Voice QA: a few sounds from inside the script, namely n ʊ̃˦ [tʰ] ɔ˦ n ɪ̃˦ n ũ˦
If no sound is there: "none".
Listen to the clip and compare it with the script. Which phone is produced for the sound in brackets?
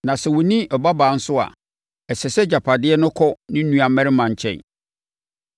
kʰ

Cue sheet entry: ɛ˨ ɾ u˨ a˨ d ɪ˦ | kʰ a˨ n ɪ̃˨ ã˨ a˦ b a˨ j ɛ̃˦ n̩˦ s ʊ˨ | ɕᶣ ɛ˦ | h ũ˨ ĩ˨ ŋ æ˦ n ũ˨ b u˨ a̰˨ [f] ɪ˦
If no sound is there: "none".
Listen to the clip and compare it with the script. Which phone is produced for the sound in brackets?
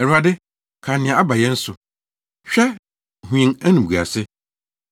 s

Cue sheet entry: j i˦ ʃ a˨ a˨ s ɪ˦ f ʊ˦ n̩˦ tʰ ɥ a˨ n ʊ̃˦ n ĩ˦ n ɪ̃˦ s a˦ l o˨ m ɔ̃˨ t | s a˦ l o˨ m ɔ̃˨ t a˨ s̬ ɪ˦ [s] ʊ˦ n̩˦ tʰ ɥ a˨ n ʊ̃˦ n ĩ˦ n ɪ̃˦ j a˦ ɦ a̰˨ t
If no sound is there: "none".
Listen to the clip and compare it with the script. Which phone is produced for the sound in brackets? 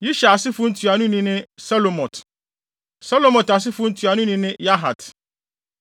f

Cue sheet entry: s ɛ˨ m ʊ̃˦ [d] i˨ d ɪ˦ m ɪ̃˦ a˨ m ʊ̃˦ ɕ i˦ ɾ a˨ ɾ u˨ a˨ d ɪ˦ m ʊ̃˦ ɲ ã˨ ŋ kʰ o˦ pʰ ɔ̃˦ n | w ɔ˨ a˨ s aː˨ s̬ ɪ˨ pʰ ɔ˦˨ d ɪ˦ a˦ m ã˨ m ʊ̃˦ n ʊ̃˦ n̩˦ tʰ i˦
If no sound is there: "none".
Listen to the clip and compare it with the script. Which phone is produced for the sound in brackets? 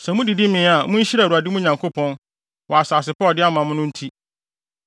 d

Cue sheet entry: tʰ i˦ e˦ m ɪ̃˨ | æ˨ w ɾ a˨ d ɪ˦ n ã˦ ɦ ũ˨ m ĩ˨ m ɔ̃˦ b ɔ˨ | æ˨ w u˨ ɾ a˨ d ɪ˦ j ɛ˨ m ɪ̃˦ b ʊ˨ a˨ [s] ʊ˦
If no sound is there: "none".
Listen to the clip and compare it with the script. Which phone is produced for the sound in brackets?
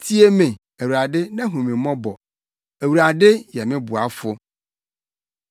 f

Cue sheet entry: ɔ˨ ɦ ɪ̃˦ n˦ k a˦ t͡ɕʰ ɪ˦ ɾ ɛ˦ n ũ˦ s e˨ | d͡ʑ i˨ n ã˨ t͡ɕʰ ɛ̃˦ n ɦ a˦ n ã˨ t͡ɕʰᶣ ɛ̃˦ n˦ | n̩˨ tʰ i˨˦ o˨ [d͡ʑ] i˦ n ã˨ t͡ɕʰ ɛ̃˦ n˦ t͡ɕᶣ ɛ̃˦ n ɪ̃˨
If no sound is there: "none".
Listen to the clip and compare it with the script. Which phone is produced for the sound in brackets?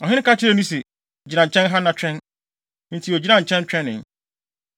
d͡ʑ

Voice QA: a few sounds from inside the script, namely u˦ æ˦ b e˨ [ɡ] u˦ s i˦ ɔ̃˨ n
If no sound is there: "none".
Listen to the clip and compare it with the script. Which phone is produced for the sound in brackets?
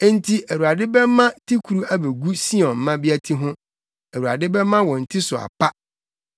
ɡ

